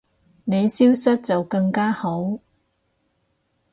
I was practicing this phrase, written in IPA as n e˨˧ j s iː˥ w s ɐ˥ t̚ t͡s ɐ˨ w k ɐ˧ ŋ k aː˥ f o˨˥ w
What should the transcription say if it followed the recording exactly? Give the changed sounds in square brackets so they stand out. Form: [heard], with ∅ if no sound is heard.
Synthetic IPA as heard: n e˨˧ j s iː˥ w s ɐ˥ t̚ t͡s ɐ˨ w k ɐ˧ ŋ k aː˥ [h] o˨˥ w